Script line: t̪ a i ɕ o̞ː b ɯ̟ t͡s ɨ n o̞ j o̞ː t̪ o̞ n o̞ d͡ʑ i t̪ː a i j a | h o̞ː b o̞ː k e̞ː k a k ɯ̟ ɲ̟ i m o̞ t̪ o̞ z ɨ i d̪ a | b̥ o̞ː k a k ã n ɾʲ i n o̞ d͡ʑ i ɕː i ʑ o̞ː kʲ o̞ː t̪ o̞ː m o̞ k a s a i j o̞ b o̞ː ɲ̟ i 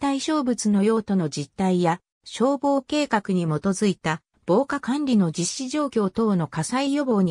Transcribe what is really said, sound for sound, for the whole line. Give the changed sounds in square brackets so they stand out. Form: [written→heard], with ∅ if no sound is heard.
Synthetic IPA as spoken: t̪ a i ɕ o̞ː b ɯ̟ t͡s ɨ n o̞ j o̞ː t̪ o̞ n o̞ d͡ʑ i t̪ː a i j a | [h→ɕ] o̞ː b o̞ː k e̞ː k a k ɯ̟ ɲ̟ i m o̞ t̪ o̞ z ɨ i [d̪→t̪] a | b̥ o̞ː k a k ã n ɾʲ i n o̞ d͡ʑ i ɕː i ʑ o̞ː kʲ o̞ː t̪ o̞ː [m→n] o̞ k a s a i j o̞ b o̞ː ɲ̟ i